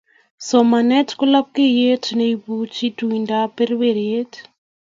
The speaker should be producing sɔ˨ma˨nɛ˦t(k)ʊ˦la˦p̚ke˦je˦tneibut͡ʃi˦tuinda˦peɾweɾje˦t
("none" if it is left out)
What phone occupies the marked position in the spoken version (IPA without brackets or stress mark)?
k